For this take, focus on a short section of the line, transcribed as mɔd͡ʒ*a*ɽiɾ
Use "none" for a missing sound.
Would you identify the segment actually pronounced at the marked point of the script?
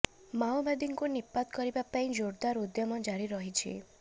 a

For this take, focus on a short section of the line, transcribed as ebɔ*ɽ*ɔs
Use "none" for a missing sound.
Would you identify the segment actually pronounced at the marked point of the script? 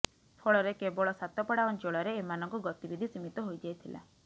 ɭ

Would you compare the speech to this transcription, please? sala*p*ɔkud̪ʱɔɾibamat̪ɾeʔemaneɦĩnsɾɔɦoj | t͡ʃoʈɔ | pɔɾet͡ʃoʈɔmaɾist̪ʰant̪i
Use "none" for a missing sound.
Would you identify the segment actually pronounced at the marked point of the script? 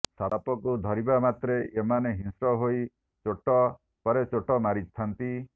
p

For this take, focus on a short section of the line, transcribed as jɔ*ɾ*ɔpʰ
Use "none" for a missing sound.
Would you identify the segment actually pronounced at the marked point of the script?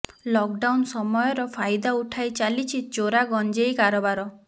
ɾ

